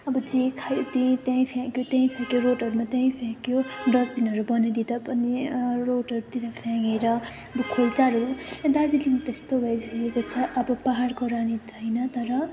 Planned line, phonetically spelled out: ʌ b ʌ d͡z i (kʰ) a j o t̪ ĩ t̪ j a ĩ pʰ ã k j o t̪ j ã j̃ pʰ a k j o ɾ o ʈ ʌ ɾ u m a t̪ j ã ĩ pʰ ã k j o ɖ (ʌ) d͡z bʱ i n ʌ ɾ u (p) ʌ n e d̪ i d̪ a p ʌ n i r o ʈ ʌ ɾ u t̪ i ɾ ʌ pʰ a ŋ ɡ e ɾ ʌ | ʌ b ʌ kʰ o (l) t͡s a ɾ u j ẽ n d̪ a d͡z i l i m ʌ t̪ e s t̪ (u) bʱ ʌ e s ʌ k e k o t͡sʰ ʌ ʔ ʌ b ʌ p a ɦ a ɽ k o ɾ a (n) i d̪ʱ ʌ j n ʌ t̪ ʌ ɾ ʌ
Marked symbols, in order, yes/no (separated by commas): yes, yes, no, yes, no, yes